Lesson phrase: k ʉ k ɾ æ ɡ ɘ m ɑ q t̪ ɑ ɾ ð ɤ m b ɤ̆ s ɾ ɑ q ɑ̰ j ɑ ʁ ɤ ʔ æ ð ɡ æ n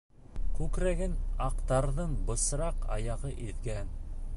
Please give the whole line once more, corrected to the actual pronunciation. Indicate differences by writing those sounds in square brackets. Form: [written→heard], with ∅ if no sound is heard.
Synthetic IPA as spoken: k ʉ k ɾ æ ɡ ɘ [m→n] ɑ q t̪ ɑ ɾ ð ɤ [m→ɴ] b ɤ̆ s ɾ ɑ q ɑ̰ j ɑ ʁ ɤ ʔ [æ→i] ð ɡ æ n